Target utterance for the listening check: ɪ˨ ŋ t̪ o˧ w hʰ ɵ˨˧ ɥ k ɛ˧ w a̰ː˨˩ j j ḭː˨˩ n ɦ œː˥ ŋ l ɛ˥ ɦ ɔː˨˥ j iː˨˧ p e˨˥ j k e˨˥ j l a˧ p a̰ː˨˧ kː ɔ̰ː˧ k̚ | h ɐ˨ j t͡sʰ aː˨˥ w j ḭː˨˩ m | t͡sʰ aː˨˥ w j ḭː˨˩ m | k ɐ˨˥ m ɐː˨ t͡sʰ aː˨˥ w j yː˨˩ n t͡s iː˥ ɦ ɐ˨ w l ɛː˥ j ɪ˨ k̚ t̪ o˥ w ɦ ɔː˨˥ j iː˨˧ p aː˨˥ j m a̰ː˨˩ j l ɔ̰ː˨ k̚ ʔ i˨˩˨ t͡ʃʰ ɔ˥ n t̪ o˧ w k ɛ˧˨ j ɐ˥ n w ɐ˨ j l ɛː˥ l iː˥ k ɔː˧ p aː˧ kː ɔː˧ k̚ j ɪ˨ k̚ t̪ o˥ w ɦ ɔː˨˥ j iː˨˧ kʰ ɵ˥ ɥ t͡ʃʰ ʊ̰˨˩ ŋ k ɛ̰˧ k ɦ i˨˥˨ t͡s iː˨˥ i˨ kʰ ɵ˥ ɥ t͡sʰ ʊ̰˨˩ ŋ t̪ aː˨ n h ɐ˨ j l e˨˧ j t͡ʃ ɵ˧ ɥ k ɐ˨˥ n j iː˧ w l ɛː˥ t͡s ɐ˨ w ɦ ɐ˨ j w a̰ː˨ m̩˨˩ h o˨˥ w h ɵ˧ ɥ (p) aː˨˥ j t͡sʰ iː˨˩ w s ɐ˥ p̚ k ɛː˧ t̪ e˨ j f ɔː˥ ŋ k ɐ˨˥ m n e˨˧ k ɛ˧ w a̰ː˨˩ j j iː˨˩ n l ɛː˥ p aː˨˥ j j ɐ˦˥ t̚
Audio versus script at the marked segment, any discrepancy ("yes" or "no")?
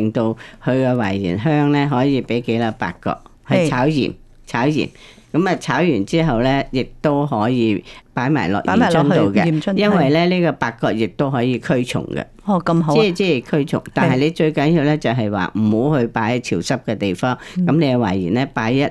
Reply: no